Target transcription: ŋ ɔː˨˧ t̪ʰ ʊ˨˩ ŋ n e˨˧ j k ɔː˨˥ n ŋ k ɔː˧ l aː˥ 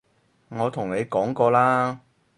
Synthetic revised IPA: ŋ ɔː˨˧ t̪ʰ ʊ˨˩ ŋ n e˨˧ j k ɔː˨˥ ŋ k ɔː˧ l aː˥